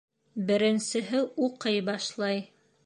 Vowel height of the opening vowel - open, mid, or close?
mid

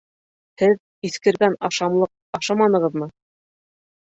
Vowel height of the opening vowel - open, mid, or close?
mid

